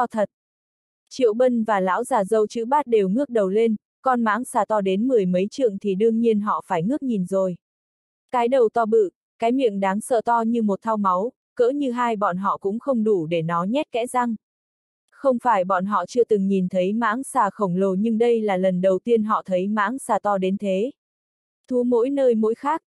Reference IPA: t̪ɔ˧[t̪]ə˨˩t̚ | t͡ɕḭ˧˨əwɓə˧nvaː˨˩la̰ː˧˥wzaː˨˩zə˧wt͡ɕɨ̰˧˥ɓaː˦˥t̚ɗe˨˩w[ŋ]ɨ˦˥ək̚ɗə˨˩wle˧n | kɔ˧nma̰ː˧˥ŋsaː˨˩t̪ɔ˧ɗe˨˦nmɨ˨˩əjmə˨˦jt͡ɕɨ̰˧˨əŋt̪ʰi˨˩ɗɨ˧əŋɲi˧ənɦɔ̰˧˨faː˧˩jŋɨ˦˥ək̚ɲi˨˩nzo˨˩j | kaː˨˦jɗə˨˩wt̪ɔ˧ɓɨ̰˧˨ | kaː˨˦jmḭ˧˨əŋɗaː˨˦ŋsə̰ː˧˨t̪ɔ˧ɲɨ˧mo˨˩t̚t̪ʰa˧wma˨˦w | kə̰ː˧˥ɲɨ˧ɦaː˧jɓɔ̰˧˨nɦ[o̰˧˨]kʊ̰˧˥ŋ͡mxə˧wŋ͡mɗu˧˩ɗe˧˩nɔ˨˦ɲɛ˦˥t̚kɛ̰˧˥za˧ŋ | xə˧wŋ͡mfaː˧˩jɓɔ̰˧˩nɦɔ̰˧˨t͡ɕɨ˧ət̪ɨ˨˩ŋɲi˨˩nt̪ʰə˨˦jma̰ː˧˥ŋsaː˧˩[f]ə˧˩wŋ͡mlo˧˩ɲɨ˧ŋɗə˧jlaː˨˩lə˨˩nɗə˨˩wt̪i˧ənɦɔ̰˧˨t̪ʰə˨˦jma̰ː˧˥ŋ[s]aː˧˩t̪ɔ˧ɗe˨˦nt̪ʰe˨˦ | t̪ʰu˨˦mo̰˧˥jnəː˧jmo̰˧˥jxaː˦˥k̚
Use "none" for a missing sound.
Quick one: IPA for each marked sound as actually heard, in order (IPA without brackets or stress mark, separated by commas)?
t̪ʰ, ŋ, ɔ̰˧˨, x, s